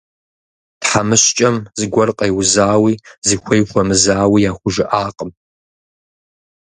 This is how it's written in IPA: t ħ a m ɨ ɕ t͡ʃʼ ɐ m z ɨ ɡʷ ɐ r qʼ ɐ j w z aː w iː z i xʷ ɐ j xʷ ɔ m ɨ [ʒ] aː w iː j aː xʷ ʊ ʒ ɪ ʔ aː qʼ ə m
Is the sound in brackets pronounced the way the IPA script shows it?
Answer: no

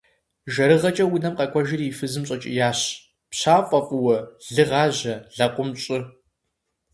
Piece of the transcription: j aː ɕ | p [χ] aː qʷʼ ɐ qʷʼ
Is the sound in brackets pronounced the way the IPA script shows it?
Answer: no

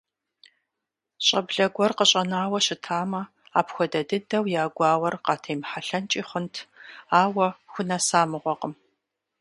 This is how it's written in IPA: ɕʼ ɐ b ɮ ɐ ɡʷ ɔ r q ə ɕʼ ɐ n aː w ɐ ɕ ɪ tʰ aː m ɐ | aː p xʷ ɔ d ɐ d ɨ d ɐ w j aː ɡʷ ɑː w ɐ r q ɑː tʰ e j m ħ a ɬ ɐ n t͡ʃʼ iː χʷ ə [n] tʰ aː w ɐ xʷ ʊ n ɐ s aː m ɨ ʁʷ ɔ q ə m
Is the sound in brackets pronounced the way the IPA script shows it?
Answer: yes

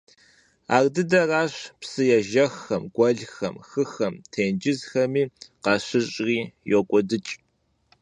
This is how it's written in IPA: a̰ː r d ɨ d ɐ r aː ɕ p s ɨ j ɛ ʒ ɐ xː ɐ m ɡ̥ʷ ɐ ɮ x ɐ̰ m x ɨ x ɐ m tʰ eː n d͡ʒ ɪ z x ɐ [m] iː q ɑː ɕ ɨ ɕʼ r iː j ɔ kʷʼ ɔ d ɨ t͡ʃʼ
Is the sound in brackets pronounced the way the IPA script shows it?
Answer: yes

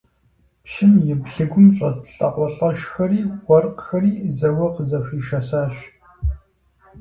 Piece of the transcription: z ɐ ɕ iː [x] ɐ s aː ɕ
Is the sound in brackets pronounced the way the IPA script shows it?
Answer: no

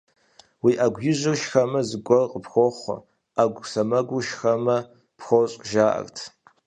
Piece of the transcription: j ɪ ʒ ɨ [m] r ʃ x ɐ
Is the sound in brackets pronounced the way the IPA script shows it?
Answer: no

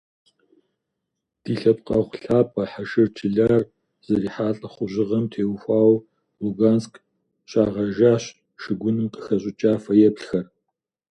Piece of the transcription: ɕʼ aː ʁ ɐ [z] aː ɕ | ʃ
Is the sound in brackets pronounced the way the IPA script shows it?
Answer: no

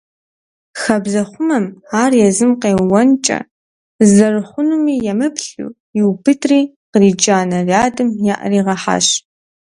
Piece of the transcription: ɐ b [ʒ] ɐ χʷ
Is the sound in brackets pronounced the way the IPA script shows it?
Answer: no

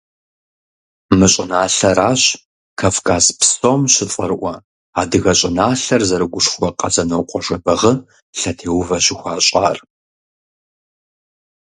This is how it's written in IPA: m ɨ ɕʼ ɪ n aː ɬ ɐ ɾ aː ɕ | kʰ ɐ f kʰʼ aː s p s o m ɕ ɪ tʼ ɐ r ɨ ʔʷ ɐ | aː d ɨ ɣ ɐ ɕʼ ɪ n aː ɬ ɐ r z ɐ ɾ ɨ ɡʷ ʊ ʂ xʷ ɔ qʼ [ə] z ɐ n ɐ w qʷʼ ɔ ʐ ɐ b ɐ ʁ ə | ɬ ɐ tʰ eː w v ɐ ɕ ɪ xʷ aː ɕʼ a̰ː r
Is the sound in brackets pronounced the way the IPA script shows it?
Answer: no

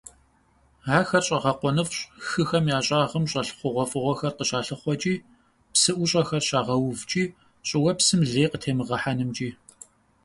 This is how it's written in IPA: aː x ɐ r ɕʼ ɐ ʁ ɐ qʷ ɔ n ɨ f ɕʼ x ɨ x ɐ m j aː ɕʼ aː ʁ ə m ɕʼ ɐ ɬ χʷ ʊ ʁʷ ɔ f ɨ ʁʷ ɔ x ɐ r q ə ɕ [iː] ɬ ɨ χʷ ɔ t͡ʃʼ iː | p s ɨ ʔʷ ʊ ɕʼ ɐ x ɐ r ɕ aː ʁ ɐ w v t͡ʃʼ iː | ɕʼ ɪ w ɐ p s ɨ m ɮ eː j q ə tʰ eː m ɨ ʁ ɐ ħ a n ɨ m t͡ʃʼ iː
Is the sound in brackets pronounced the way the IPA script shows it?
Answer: no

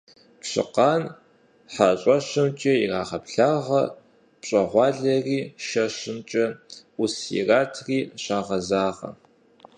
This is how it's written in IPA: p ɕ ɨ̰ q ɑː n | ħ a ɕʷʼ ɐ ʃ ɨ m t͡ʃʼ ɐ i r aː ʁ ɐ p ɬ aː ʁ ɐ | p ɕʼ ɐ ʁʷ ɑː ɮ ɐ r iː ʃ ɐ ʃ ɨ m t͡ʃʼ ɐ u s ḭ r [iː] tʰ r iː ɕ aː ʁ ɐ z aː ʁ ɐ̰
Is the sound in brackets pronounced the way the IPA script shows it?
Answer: no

